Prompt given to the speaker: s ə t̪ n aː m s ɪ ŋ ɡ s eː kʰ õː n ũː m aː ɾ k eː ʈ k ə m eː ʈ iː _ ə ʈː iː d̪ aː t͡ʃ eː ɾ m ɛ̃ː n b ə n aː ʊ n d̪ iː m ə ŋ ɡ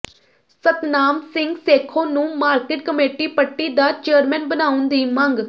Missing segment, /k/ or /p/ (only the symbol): p